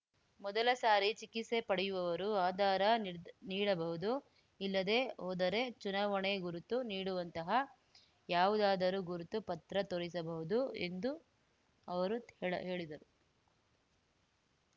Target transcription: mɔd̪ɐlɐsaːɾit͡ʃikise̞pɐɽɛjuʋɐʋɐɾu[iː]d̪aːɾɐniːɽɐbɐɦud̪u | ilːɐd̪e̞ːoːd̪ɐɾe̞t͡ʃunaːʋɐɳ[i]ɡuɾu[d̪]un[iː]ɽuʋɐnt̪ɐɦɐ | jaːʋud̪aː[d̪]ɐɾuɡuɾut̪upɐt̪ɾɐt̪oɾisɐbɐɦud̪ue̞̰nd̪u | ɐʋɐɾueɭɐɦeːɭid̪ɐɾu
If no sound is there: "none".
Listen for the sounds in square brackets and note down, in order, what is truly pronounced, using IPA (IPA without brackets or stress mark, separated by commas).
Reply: aː, e, t̪, iː, d̪